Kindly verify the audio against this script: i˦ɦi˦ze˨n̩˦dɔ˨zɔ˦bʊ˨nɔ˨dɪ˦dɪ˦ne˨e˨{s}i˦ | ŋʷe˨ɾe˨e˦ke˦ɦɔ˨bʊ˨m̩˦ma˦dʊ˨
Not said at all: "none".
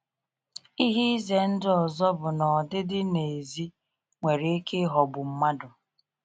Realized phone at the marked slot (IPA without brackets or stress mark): z